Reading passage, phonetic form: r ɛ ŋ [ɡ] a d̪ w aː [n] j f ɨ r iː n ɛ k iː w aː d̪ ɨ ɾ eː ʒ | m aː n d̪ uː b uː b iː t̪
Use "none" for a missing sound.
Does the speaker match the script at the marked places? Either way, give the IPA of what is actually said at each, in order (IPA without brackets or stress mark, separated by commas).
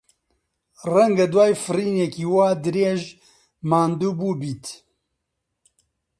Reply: ɡ, none